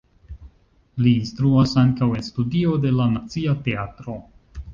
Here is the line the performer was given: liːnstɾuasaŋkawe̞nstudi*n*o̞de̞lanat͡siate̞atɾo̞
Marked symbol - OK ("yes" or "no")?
no